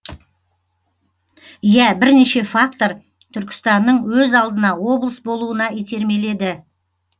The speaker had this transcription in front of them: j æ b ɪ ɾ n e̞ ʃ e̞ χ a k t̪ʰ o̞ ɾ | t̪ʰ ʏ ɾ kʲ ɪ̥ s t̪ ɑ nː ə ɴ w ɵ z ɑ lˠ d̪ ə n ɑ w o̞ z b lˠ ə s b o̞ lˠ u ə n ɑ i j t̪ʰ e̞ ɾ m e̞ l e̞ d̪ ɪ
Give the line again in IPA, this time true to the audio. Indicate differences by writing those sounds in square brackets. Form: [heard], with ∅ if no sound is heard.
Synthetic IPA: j æ b ɪ ɾ n e̞ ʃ e̞ [f] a k [t̪] o̞ ɾ | t̪ʰ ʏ ɾ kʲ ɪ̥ s t̪ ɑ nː ə ɴ w ɵ z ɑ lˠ d̪ ə n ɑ w o̞ [∅] b lˠ ə s b o̞ lˠ u ə n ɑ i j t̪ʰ e̞ ɾ m e̞ l e̞ d̪ ɪ